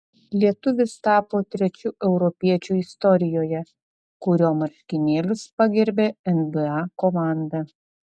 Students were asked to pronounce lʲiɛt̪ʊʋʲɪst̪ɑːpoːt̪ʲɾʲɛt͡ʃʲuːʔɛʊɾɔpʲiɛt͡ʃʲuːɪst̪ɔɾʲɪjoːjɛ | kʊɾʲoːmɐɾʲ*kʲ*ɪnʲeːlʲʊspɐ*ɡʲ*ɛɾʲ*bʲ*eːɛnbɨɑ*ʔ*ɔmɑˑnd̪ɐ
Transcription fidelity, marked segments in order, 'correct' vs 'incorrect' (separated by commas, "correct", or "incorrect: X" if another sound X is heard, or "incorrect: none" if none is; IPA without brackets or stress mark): correct, correct, correct, incorrect: k